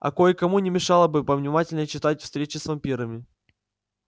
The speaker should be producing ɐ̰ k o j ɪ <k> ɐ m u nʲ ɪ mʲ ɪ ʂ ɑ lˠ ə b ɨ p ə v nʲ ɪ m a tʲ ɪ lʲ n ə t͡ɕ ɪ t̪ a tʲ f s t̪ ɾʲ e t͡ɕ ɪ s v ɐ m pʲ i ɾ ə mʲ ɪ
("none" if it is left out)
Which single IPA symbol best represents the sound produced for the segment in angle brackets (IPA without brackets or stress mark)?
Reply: k